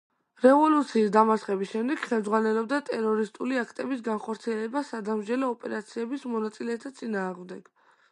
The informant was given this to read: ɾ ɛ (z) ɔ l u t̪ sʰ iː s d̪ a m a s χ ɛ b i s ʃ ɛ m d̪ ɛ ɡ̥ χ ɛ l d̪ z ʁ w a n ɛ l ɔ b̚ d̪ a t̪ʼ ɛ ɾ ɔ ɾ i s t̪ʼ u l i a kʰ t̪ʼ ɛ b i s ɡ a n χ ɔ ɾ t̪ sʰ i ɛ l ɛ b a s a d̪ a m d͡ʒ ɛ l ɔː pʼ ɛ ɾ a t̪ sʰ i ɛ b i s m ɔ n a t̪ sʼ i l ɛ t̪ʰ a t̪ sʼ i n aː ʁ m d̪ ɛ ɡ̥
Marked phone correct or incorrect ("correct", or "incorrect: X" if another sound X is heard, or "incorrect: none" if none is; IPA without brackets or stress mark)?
incorrect: v